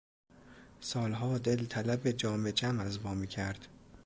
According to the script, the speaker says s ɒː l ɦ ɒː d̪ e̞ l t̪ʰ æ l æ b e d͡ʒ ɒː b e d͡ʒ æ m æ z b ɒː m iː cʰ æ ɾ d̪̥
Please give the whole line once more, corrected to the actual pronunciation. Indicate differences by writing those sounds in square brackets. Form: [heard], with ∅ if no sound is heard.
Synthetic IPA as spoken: s ɒː l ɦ ɒː d̪ e̞ l t̪ʰ æ l æ b e d͡ʒ ɒː [m] e d͡ʒ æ m æ z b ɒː m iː cʰ æ ɾ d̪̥